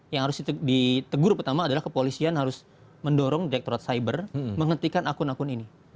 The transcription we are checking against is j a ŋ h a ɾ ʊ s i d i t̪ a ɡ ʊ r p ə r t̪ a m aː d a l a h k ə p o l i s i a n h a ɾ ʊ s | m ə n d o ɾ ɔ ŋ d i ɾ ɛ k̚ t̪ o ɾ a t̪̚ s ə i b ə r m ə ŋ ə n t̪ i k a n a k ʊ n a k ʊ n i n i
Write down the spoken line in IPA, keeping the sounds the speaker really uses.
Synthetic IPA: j a ŋ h a ɾ ʊ s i d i t̪ ə ɡ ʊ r p ə r t̪ a m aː d a l a h k ə p o l i s i a n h a ɾ ʊ s | m ə n d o ɾ ɔ ŋ d i ɾ ɛ k̚ t̪ o ɾ a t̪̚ s a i b ə r m ə ŋ ə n t̪ i k a n a k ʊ n a k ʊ n i n i